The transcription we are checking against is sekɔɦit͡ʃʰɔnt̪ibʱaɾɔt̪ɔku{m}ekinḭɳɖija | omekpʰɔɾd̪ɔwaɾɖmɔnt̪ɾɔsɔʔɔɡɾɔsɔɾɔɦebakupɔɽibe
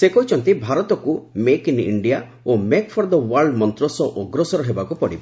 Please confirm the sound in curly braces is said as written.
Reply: yes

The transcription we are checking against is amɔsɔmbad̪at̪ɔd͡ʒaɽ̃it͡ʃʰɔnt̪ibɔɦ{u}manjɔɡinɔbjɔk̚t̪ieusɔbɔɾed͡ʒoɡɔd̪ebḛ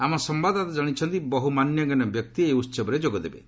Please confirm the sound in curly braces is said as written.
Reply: yes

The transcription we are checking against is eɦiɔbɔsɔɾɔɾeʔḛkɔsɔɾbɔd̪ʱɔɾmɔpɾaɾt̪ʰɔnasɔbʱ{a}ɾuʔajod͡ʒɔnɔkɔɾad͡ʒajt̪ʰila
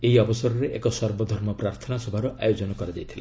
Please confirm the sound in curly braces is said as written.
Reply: yes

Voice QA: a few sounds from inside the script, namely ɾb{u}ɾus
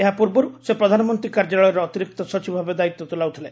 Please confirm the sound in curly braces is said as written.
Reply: no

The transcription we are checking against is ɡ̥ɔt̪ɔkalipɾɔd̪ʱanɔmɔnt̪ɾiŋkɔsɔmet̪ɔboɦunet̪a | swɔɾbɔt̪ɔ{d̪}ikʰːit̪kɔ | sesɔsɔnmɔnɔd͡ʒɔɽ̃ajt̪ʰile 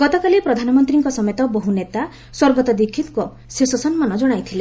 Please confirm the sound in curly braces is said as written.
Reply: yes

